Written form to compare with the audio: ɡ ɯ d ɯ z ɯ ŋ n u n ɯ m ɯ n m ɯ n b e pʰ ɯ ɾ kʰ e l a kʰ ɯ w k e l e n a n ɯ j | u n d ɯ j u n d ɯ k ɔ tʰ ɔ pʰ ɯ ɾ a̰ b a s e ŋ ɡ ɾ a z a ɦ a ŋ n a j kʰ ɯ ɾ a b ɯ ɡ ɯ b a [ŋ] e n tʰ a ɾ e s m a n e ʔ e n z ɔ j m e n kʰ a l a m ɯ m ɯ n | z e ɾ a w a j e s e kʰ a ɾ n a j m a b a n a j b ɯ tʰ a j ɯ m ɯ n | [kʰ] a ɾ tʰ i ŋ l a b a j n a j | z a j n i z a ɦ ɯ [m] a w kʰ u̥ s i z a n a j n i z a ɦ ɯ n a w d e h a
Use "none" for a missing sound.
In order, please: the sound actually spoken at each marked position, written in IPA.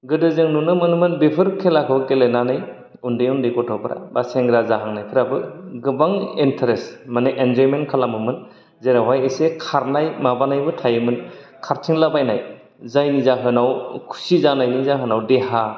ŋ, kʰ, n

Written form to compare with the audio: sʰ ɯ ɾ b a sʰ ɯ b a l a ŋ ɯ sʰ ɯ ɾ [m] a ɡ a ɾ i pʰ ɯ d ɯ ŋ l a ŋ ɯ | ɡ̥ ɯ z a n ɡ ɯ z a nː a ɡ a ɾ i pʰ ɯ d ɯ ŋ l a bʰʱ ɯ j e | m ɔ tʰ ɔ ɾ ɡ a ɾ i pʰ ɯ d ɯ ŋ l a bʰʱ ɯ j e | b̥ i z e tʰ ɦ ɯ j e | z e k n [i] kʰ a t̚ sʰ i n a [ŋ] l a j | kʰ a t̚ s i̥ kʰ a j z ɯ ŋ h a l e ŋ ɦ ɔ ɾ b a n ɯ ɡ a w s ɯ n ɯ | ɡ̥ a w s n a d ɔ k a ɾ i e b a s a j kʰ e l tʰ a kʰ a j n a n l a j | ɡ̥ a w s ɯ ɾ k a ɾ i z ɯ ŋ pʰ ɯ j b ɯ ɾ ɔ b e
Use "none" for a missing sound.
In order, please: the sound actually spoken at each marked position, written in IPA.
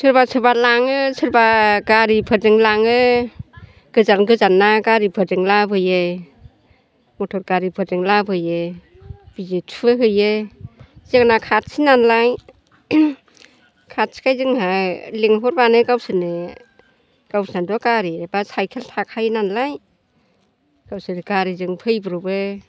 b, a, n

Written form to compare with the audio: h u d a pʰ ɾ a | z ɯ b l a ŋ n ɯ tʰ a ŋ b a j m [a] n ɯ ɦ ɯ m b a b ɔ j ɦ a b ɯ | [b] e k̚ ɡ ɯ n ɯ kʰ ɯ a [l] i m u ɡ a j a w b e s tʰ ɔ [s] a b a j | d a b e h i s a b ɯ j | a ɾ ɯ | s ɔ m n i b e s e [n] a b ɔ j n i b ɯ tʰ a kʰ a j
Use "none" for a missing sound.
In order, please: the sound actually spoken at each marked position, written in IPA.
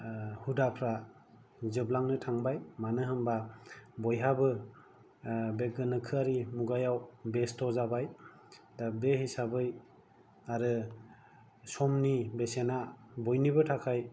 a, b, ɾ, z, n

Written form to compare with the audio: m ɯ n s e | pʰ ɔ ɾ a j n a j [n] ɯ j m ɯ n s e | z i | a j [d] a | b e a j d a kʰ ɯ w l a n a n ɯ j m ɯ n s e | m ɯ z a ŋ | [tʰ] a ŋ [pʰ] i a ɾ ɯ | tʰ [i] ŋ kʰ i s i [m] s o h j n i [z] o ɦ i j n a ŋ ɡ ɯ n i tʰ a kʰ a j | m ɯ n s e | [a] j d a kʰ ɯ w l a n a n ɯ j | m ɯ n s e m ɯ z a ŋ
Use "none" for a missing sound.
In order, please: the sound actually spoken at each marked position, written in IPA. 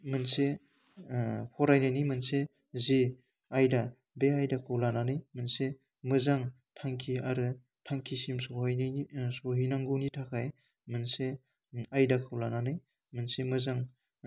n, d, tʰ, kʰ, a, m, s, a

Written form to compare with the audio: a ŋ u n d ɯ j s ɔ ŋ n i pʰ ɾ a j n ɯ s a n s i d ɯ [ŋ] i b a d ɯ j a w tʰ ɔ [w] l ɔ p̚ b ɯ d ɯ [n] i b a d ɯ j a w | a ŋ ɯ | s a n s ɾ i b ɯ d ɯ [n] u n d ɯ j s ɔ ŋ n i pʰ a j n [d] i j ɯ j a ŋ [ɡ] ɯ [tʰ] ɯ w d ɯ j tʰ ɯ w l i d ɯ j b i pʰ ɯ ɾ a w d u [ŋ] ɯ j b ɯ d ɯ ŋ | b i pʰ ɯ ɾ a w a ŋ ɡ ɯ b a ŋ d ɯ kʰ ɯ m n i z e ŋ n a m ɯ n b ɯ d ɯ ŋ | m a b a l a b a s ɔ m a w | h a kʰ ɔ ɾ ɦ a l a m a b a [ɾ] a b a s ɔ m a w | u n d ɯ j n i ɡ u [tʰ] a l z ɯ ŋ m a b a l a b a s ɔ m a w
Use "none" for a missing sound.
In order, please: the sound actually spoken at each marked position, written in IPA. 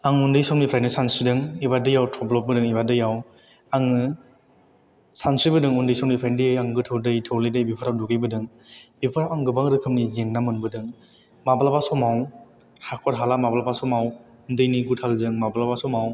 ŋ, b, ŋ, ŋ, d, ɡ, tʰ, ɡ, l, tʰ

